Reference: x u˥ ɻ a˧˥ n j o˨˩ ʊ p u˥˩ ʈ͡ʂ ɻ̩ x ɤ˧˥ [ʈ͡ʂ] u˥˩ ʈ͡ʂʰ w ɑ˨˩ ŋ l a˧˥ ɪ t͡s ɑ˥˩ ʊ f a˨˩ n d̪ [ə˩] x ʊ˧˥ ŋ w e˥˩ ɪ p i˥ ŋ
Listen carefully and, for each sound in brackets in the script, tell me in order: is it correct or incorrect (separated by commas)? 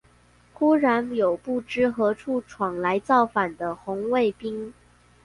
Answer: incorrect, incorrect